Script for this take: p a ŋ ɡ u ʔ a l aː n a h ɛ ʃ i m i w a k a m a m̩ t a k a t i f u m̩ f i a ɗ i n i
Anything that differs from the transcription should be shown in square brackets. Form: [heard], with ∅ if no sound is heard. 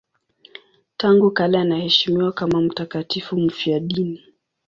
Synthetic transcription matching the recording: [t] a ŋ ɡ u [k] a l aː n a h ɛ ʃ i m i w a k a m a m̩ t a k a t i f u m̩ f i a ɗ i n i